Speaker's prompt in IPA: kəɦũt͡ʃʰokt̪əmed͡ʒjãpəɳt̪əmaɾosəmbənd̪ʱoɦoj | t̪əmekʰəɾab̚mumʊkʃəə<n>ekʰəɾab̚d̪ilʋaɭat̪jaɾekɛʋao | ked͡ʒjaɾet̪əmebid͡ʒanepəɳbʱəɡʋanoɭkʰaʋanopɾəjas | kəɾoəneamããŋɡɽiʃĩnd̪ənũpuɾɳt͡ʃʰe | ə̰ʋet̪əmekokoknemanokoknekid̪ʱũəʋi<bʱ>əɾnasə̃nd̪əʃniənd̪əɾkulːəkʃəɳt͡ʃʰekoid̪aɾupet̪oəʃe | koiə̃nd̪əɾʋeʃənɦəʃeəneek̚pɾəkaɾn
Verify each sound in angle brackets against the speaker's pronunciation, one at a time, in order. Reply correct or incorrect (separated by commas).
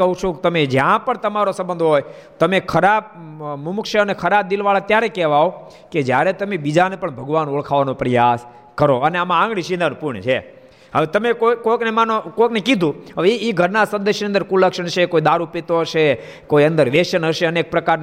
correct, incorrect